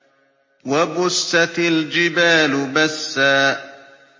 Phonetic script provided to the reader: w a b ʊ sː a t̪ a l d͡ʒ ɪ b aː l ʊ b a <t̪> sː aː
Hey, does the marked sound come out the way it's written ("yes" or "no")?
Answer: no